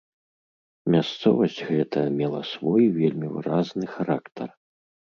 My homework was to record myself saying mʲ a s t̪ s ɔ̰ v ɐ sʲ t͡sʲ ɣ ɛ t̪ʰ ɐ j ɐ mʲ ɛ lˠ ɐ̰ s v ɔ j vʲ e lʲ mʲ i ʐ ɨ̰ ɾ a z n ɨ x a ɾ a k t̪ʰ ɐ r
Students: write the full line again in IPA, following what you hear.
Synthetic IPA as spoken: mʲ a s t̪ s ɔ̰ v ɐ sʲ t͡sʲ ɣ ɛ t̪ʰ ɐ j ɐ mʲ ɛ lˠ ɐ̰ s v ɔ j vʲ e lʲ mʲ i v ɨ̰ ɾ a z n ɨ x a ɾ a k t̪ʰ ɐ r